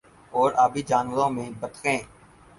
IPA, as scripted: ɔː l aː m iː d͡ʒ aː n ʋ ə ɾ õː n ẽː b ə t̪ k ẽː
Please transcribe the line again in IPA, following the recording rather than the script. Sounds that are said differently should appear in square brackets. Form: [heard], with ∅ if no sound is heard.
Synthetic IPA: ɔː [ɾ] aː [b] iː d͡ʒ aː n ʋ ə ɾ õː [m] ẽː b ə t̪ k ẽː